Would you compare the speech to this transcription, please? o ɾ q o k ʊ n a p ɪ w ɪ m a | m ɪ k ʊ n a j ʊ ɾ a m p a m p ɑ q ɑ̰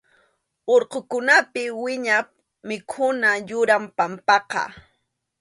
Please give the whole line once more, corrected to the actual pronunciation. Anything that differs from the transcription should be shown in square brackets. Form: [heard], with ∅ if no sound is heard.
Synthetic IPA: o ɾ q o k ʊ n a p ɪ w ɪ [ɲ] a | m ɪ [kʰ] ʊ n a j ʊ ɾ a m p a m p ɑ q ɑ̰

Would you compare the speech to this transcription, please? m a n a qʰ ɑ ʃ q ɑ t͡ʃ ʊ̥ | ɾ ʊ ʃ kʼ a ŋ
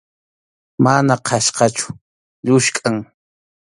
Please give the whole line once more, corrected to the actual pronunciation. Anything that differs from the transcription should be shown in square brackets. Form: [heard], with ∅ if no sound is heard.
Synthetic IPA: m a n a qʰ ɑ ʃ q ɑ t͡ʃ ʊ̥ | [ʎ] ʊ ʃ kʼ a ŋ

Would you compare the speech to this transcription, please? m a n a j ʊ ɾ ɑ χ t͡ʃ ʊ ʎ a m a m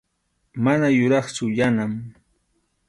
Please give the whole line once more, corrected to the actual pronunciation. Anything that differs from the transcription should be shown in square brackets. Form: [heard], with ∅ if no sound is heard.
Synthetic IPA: m a n a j ʊ ɾ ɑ χ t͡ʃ ʊ [j] a [n] a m

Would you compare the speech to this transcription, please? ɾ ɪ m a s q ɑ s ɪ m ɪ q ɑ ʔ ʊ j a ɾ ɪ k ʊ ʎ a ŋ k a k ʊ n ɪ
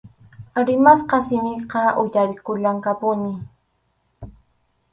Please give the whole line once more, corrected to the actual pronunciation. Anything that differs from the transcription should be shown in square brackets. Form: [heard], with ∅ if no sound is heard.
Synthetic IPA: ɾ ɪ m a s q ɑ s ɪ m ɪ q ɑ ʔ ʊ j a ɾ ɪ k ʊ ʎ a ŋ k a [p] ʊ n ɪ

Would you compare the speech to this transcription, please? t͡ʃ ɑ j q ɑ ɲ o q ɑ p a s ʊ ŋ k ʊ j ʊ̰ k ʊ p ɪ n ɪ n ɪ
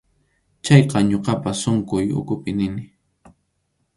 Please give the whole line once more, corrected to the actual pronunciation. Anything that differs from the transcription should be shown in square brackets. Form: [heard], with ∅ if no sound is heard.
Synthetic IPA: t͡ʃ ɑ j q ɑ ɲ o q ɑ p a s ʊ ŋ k ʊ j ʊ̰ k ʊ p ɪ n ɪ n ɪ

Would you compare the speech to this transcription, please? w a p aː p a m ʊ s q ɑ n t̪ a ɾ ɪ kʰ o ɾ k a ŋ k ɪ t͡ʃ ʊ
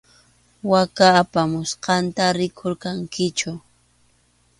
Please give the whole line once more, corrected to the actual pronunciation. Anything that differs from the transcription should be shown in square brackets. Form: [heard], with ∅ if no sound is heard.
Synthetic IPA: w a [k] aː p a m ʊ s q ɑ n t̪ a ɾ ɪ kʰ o ɾ k a ŋ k ɪ t͡ʃ ʊ

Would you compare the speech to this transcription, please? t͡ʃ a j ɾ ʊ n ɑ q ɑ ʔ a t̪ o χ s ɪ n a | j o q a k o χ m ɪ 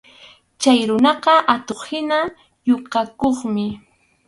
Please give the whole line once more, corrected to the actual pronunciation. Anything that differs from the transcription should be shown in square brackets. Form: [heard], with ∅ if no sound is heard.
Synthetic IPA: t͡ʃ a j ɾ ʊ n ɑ q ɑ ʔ a t̪ o χ [h] ɪ n a | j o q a k o χ m ɪ

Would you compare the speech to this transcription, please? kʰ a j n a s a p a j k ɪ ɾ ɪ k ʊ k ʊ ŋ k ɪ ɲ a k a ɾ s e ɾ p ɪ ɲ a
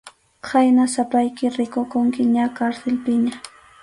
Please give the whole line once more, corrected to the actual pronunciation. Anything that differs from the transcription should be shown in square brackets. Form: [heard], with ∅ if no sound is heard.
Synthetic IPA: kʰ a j n a s a p a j k ɪ ɾ ɪ k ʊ k ʊ ŋ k ɪ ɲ a k a ɾ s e [l] p ɪ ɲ a

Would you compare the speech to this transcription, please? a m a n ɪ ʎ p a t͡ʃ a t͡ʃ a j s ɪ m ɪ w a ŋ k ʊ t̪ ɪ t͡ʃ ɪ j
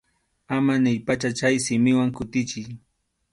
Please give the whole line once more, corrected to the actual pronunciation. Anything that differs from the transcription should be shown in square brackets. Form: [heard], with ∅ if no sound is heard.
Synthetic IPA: a m a n ɪ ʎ p a t͡ʃ a t͡ʃ a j s ɪ m ɪ w a ŋ k ʊ t̪ ɪ t͡ʃ ɪ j

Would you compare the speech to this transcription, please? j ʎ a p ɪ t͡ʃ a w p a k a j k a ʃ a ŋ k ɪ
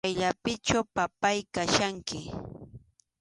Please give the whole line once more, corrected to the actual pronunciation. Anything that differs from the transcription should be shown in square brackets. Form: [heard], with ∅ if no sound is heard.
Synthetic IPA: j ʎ a p ɪ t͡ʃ a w p a [p] a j k a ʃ a ŋ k ɪ

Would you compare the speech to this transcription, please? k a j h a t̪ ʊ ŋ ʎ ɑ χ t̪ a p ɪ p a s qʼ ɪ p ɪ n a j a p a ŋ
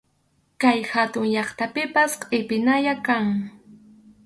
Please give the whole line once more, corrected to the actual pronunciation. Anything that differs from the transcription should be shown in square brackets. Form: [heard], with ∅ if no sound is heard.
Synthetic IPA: k a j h a t̪ ʊ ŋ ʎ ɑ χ t̪ a p ɪ p a s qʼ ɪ p ɪ n a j a [k] a ŋ

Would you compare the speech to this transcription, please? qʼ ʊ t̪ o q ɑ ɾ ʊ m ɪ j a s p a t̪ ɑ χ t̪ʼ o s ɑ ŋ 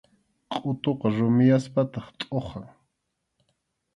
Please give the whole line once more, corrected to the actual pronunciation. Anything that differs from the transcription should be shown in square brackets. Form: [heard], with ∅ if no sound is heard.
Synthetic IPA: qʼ ʊ t̪ o q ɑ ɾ ʊ m ɪ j a s p a t̪ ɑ χ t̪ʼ o [χ] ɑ ŋ

